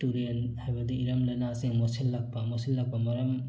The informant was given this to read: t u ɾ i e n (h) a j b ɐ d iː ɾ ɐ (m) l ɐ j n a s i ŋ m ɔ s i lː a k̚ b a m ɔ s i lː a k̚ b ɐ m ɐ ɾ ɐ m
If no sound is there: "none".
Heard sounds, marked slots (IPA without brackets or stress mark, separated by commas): h, m